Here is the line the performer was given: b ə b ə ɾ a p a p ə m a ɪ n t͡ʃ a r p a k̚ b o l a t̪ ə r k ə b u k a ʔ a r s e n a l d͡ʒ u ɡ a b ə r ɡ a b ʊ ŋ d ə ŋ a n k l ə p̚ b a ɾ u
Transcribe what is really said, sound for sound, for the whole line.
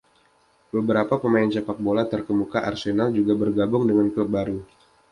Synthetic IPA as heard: b ə b ə ɾ a p a p ə m a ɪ n t͡ʃ a p a k̚ b o l a t̪ ə r k ə m u k a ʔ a r s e n a l d͡ʒ u ɡ a b ə r ɡ a b ʊ ŋ d ə ŋ a n k l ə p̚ b a ɾ u

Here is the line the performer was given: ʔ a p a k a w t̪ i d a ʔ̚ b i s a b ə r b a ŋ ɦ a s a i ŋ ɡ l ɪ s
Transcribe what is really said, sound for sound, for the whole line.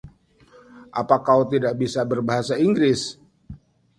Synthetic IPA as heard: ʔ a p a k a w t̪ i d a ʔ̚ b i s a b ə r b a ɦ a s a i ŋ ɡ ɾ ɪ s

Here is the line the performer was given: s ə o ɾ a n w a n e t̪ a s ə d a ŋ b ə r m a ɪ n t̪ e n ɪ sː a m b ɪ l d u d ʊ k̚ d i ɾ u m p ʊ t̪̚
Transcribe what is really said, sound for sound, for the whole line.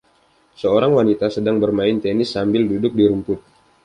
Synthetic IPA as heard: s ə o ɾ a ŋ w a n i t̪ a s ə d a ŋ b ə r m a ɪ n t̪ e n ɪ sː a m b ɪ l d u d ʊ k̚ d i ɾ u m p ʊ t̪̚

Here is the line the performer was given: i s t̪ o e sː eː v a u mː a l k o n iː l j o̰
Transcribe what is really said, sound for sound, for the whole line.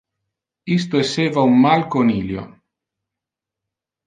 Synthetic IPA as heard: i s t̪ o e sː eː v a u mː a l k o n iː l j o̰

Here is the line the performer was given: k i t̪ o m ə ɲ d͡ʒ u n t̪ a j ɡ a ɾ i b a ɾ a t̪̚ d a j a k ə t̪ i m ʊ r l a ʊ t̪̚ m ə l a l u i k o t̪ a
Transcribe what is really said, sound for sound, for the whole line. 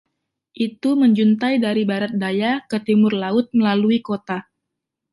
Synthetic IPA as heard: ʔ i t̪ u m ə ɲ d͡ʒ u n t̪ a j d a ɾ i b a ɾ a t̪̚ d a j a k ə t̪ i m ʊ r l a ʊ t̪̚ m ə l a l u i k o t̪ a

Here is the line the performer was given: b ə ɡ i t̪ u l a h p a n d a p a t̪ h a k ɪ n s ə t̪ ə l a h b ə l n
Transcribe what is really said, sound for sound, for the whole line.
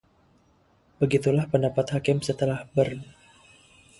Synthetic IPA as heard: b ə ɡ i t̪ u l a h p ə n d a p a t̪ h a k ɪ m s ə t̪ ə l a h b ə r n

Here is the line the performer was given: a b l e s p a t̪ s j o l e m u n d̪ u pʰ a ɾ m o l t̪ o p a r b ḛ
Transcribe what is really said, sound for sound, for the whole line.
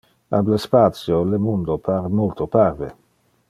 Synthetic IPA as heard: a b l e s p a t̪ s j o l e m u n d̪ o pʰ a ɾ m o l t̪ o p a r v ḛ

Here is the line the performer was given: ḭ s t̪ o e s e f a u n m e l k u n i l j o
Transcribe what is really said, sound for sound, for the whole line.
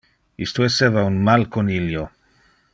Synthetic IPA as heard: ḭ s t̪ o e s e v a u n m a l k o n i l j o

